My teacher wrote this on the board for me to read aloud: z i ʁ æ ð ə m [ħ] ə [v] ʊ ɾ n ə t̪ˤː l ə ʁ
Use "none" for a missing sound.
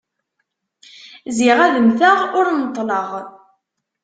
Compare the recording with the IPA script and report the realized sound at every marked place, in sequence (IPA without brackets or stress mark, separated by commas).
θ, ʁ